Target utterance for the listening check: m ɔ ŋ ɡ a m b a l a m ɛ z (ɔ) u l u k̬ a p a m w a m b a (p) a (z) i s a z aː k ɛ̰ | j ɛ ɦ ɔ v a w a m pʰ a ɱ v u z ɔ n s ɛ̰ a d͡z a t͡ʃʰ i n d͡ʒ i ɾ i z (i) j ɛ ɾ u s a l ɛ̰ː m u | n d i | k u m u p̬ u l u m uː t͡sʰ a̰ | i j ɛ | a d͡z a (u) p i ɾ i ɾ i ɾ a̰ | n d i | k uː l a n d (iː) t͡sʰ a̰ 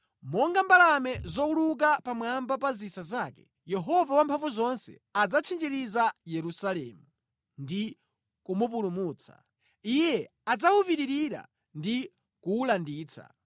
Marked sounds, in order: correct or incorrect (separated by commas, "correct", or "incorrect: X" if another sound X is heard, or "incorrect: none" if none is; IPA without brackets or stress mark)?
correct, correct, correct, incorrect: a, correct, correct